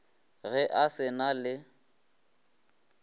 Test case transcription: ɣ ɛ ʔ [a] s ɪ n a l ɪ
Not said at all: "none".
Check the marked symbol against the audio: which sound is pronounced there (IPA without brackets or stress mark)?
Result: a